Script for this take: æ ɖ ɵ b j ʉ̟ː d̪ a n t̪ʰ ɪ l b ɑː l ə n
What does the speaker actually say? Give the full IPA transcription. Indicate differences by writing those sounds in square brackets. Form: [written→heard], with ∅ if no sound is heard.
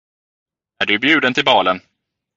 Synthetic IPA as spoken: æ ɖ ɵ b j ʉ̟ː d̪ [a→ə] n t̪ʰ ɪ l b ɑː l ə n